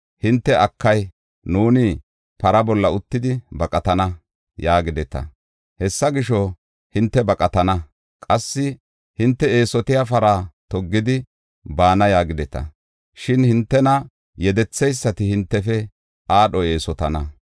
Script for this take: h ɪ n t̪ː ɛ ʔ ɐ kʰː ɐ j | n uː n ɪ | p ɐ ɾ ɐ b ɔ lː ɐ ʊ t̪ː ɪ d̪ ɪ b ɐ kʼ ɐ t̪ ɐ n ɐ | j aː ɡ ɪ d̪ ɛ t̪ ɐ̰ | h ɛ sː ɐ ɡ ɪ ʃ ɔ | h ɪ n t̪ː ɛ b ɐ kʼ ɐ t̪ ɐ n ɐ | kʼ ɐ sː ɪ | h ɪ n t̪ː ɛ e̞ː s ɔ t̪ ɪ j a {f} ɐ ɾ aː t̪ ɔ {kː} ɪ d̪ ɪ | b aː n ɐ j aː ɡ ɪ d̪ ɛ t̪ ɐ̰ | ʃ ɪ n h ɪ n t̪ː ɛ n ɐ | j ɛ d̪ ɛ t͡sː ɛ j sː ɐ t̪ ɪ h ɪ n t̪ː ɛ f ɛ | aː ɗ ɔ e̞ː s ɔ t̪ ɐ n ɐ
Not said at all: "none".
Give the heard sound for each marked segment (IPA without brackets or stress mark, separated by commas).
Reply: f, ɡː